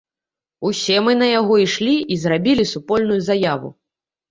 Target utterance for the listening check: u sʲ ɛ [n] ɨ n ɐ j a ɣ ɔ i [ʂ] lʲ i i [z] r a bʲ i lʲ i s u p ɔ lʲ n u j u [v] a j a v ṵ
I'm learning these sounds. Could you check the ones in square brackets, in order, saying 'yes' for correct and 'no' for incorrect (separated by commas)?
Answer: no, yes, yes, no